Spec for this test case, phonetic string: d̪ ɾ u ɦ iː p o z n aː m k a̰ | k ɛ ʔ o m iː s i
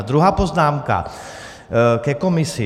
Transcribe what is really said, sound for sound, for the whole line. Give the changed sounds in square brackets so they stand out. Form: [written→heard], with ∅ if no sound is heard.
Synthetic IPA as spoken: d̪ ɾ u ɦ [iː→aː] p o z n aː m k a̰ | k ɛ [ʔ→k] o m [iː→i] s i